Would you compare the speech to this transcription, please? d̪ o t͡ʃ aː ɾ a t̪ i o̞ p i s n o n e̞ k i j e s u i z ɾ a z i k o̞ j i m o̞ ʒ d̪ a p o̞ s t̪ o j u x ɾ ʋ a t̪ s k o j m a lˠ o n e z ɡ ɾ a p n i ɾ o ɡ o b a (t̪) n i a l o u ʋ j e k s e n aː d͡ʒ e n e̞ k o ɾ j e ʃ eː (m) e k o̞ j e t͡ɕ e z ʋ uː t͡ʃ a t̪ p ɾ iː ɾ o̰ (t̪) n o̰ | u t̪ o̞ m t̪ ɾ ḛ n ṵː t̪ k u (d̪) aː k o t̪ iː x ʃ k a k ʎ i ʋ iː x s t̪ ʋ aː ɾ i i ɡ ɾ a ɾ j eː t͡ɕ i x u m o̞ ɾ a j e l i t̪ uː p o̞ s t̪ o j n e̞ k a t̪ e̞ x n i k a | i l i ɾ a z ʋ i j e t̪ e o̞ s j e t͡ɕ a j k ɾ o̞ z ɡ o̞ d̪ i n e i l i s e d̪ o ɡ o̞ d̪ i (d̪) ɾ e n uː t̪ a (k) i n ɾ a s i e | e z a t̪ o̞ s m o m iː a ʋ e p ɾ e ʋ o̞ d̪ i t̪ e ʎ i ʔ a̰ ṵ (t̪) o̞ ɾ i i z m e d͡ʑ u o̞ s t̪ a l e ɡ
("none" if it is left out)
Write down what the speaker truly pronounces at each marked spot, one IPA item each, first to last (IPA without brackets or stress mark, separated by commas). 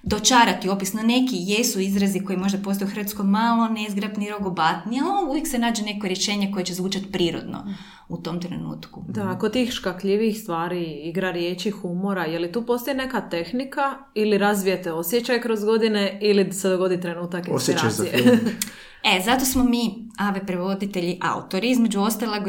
t̪, ɲ, d̪, d̪, t̪, k, t̪